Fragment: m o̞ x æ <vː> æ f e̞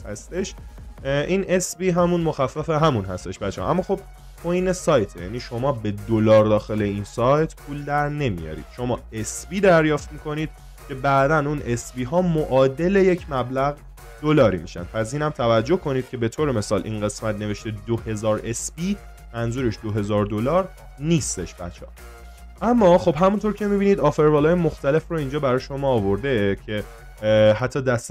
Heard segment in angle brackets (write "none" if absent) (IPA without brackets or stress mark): fː